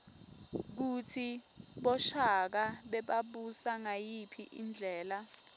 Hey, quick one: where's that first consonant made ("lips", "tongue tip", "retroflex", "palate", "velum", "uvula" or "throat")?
velum